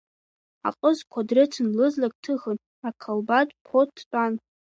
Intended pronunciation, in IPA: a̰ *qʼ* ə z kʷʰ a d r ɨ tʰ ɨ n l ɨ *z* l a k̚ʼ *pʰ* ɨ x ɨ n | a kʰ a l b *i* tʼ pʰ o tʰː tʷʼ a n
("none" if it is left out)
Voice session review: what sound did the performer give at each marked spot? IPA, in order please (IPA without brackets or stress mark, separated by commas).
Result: qʼ, z, tʰ, a